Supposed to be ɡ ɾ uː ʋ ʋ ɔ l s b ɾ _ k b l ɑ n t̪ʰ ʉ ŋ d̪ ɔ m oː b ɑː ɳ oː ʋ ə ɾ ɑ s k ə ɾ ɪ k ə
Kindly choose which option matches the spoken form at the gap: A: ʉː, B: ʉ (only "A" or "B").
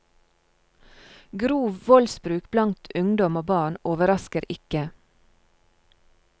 A